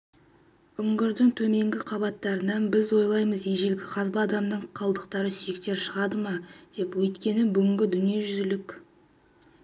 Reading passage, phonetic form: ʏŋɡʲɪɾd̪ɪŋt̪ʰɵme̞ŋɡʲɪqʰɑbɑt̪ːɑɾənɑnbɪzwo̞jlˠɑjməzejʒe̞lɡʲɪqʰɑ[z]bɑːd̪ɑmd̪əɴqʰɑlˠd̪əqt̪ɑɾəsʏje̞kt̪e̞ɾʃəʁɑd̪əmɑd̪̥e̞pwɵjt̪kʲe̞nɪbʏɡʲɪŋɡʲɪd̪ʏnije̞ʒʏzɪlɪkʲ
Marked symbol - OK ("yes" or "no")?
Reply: yes